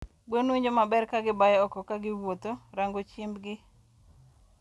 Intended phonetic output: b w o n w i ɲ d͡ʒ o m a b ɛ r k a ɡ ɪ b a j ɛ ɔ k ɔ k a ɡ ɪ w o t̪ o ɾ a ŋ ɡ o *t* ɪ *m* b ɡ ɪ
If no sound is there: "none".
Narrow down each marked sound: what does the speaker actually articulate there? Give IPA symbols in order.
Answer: t͡ʃ, m

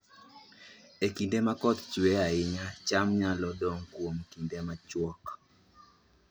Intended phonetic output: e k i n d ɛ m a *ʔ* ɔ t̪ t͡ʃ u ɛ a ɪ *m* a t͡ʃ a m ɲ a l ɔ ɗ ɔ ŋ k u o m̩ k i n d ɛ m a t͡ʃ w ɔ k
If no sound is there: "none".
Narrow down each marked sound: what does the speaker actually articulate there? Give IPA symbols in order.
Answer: k, ɲ

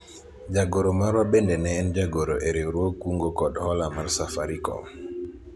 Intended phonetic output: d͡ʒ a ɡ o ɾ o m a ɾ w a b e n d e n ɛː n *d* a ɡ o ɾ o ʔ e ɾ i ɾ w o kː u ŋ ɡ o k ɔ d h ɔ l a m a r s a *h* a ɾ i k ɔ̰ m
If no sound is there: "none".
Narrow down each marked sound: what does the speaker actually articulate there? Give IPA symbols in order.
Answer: d͡ʒ, f

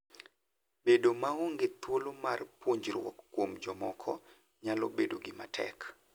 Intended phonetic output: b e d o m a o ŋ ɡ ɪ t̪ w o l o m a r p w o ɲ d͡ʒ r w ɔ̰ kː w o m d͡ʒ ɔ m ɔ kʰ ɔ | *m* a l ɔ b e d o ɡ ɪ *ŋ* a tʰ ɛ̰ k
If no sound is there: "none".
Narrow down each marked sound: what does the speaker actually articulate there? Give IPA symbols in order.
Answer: ɲ, m

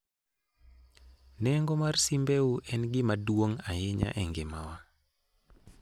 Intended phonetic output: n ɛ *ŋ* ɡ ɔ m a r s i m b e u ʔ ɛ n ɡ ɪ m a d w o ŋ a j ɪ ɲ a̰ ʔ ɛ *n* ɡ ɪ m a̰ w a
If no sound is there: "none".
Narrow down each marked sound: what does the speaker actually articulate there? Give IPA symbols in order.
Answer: ŋ, ŋ

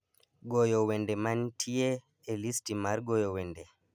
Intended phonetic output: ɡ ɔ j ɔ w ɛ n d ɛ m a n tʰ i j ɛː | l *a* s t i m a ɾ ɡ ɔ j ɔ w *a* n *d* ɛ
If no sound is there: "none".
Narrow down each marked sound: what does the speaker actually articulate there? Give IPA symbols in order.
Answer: i, ɛ, d

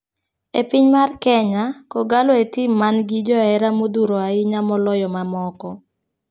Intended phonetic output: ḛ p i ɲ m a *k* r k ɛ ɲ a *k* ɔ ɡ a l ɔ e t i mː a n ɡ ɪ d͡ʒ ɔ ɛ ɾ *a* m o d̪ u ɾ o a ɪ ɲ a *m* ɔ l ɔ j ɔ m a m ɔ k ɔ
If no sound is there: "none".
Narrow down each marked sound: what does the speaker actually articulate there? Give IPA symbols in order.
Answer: none, k, a, m

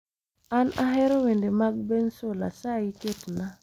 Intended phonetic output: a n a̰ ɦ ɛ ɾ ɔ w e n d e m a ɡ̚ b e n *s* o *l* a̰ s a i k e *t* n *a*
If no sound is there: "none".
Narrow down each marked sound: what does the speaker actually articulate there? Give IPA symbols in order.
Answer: s, l, t, a

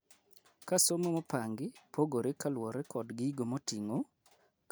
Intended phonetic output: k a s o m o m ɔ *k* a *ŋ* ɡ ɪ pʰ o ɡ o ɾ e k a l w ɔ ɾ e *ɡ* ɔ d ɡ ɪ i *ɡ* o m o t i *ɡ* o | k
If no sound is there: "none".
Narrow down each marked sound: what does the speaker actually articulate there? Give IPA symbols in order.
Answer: p, ŋ, k, ɡ, ŋ

